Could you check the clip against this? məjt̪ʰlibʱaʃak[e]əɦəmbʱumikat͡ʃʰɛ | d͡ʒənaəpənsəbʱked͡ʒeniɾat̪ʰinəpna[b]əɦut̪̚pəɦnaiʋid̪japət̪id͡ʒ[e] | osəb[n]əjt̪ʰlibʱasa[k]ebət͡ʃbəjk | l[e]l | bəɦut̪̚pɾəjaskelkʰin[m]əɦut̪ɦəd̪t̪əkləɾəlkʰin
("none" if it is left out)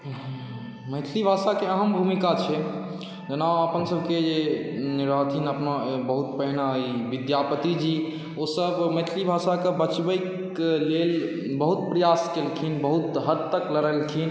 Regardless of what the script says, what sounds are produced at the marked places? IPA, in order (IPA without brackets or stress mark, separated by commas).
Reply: e, b, i, m, k, e, b